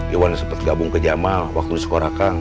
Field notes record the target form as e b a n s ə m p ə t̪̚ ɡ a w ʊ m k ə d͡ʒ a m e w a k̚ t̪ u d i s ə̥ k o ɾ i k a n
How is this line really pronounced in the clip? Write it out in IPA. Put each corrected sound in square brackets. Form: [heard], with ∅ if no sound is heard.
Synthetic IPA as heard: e [w] a n s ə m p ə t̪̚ ɡ a [b] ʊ [ŋ] k ə d͡ʒ a m [a] w a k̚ t̪ u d i s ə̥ k o ɾ [a] k a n